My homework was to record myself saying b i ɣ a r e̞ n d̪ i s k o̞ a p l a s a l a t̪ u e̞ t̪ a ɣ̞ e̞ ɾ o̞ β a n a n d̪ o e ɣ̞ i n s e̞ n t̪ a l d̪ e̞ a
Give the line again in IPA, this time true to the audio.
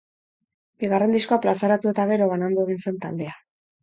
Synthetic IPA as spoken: b i ɣ a r e̞ n d̪ i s k o̞ a p l a s a ɾ a t̪ u e̞ t̪ a ɣ̞ e̞ ɾ o̞ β a n a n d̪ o e ɣ̞ i n s e̞ n t̪ a l d̪ e̞ a